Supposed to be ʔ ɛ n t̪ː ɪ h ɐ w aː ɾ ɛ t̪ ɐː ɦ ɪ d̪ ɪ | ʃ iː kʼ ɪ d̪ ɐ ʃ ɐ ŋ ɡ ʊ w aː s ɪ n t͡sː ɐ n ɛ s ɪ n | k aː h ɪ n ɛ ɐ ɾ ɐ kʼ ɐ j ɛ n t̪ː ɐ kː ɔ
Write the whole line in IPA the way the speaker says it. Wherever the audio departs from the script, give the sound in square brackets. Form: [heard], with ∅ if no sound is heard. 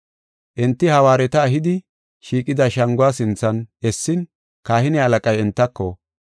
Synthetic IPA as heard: ʔ ɛ n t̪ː ɪ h ɐ w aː ɾ ɛ t̪ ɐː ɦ ɪ d̪ ɪ | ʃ iː kʼ ɪ d̪ ɐ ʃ ɐ ŋ ɡ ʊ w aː s ɪ n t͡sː ɐ n ɛ [sː] ɪ n | k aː h ɪ n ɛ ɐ [l] ɐ kʼ ɐ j ɛ n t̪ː ɐ kː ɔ